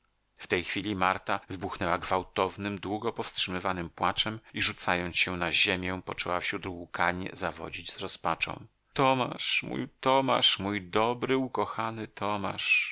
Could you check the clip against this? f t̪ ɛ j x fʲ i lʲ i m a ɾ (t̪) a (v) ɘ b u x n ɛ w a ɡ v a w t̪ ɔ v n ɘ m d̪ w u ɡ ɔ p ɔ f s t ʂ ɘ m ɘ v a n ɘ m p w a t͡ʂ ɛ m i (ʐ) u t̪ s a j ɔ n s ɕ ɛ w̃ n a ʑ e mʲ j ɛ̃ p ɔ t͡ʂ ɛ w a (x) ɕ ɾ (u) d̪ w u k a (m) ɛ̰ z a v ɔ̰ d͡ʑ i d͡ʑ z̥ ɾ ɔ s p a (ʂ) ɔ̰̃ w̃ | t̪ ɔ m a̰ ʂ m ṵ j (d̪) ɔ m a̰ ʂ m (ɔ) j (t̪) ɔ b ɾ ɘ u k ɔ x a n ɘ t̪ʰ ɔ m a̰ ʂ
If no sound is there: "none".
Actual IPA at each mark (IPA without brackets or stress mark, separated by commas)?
t̪, v, ʐ, f, u, ɲ, t͡ʂ, t̪, u, d̪